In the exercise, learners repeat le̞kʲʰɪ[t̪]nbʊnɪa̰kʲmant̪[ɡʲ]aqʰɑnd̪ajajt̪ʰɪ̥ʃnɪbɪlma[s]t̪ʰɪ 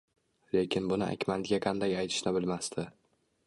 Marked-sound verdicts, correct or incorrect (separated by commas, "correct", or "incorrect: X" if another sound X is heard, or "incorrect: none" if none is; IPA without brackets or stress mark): incorrect: none, correct, correct